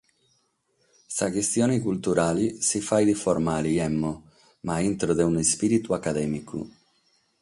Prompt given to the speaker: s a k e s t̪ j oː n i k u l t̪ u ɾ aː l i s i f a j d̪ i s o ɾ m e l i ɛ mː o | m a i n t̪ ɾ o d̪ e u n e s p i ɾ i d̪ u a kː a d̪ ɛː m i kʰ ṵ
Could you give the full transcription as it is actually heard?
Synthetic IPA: s a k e s t̪ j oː n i k u l t̪ u ɾ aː l i s i f a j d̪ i f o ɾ m a l i ɛ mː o | m a i n t̪ ɾ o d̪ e u n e s p i ɾ i t̪ u a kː a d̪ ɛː m i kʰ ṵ

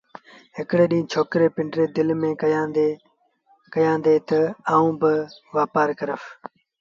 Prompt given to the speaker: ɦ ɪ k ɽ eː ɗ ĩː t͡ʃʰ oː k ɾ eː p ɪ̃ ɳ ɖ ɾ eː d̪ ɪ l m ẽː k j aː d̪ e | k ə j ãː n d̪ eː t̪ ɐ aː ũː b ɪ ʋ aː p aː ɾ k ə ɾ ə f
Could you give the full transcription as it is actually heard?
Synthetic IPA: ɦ ɪ k ɽ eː ɗ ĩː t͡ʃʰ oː k ɾ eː p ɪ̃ ɳ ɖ ɾ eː d̪ ɪ l m ẽː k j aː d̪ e | k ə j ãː n d̪ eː t̪ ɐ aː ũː b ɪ ʋ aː p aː ɾ k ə ɾ ə f

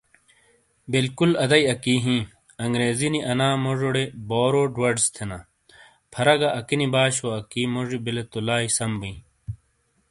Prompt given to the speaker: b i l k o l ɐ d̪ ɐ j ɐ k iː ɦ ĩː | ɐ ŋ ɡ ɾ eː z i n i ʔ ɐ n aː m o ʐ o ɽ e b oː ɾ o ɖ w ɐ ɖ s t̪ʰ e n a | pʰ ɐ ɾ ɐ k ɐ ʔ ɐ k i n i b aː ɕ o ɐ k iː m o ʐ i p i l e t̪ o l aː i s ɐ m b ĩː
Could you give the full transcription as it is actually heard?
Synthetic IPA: b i l k u l ɐ d̪ ɐ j ɐ k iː ɦ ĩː | ɐ ŋ ɡ ɾ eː z i n i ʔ ɐ n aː m o ʐ o ɽ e b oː ɾ o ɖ w ɐ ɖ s t̪ʰ e n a | pʰ ɐ ɾ ɐ ɡ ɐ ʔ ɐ k i n i b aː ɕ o ɐ k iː m o ʐ i b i l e t̪ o l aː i s ɐ m b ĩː

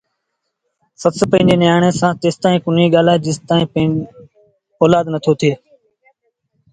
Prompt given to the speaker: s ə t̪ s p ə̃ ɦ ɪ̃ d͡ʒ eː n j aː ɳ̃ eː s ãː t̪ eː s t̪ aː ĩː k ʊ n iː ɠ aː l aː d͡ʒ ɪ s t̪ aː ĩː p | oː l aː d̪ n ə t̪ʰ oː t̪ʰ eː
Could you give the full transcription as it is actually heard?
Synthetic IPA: s ə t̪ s p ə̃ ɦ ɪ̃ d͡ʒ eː n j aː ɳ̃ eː s ãː t̪ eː s t̪ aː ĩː k ʊ n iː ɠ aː l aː d͡ʒ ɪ s t̪ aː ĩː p | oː l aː d̪ n ə t̪ʰ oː t̪ʰ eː

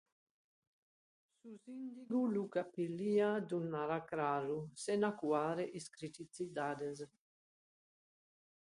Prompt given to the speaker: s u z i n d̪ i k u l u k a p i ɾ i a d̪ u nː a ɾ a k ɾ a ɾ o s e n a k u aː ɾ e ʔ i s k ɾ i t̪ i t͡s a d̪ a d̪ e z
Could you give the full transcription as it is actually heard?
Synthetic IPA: s u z i n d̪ i ɡ u l u k a p i l i a d̪ u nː a ɾ a k ɾ a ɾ u s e n a k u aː ɾ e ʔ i s k ɾ i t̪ i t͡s i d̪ a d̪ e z

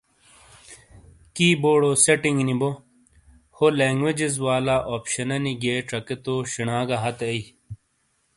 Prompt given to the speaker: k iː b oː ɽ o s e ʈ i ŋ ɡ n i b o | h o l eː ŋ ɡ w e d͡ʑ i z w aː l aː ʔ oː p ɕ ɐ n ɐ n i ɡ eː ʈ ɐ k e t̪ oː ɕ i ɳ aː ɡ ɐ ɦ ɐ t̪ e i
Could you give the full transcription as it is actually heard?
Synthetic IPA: k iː b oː ɽ o s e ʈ i ŋ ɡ n i b o | h o l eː ŋ ɡ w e d͡ʑ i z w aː l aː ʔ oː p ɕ ɐ n ɐ n i ɡ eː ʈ ɐ k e t̪ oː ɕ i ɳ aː ɡ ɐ ɦ ɐ t̪ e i

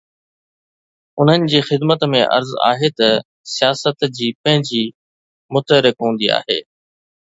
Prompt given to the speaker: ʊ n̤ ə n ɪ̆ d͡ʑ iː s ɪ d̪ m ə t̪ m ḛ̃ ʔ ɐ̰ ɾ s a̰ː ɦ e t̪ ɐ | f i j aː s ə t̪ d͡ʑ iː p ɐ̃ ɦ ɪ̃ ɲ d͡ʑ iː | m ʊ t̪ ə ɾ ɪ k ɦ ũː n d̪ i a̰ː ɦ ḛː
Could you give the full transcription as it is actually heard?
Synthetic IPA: ʊ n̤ ə n ɪ̆ d͡ʑ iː x ɪ d̪ m ə t̪ m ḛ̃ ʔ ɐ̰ ɾ z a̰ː ɦ e t̪ ɐ | s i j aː s ə t̪ d͡ʑ iː p ɐ̃ ɦ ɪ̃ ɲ d͡ʑ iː | m ʊ t̪ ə ɾ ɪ k ɦ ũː n d̪ i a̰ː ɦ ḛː

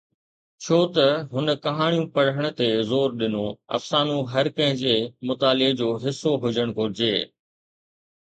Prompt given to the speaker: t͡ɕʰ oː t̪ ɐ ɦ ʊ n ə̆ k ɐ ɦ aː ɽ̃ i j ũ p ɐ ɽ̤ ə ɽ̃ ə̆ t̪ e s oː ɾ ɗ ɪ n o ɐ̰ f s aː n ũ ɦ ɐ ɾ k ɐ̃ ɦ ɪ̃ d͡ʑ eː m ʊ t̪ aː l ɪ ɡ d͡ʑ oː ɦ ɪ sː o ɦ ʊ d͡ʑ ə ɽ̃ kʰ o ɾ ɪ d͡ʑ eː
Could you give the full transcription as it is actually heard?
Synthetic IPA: t͡ɕʰ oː t̪ ɐ ɦ ʊ n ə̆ k ɐ ɦ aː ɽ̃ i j ũ p ɐ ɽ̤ ə ɽ̃ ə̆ t̪ e z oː ɾ ɗ ɪ n o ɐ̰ f s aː n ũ ɦ ɐ ɾ k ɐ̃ ɦ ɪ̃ d͡ʑ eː m ʊ t̪ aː l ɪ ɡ d͡ʑ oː ɦ ɪ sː o ɦ ʊ d͡ʑ ə ɽ̃ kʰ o ɾ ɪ d͡ʑ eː

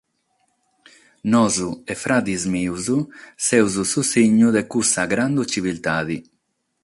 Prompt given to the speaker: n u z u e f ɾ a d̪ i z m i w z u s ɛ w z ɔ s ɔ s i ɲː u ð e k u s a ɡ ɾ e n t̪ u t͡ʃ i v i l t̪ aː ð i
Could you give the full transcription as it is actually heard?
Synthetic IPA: n ɔ z u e f ɾ a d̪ i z m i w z u s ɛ w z u s u s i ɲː u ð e k u s a ɡ ɾ a n d̪ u t͡ʃ i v i l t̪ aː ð i

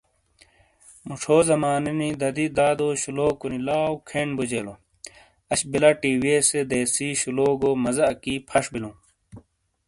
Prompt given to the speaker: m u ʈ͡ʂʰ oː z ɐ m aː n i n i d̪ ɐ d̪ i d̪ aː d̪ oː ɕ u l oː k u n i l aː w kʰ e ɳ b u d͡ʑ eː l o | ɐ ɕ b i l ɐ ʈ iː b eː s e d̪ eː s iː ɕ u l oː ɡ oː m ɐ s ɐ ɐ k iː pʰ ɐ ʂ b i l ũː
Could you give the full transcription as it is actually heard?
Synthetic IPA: m u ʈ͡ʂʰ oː z ɐ m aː n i n i d̪ ɐ d̪ i d̪ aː d̪ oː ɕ u l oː k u n i l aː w kʰ e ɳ b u d͡ʑ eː l o | ɐ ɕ b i l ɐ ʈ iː w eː s e d̪ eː s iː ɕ u l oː ɡ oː m ɐ z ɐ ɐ k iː pʰ ɐ ʂ b i l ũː

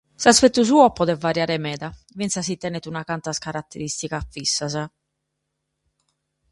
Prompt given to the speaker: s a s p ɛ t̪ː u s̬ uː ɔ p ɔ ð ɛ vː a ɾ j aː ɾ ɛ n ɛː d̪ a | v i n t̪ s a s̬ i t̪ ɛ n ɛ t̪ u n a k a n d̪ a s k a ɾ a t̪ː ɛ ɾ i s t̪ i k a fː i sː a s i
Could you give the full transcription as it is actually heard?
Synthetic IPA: s a s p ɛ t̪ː u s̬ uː ɔ p ɔ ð ɛ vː a ɾ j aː ɾ ɛ m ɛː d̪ a | v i n t̪ s a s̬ i t̪ ɛ n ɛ t̪ u n a k a n t̪ a s k a ɾ a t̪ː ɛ ɾ i s t̪ i k a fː i sː a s a

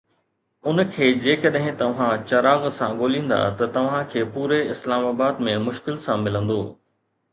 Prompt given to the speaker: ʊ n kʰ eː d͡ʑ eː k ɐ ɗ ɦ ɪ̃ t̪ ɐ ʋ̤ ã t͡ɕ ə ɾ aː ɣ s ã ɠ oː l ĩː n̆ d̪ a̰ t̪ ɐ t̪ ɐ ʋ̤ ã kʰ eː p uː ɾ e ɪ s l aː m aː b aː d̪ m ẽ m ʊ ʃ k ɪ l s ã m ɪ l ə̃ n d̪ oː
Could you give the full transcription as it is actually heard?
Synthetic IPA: ʊ n kʰ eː d͡ʑ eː k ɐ ɗ ɦ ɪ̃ t̪ ɐ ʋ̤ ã t͡ɕ ɐ ɾ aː ɣ s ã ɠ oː l ĩː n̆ d̪ a̰ t̪ ɐ t̪ ɐ ʋ̤ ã kʰ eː p uː ɾ e ɪ s l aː m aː b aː d̪ m ẽ m ʊ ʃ k ɪ l s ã m ɪ l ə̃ n d̪ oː

